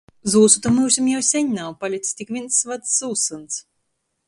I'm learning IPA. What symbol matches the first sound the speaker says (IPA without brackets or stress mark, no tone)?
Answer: z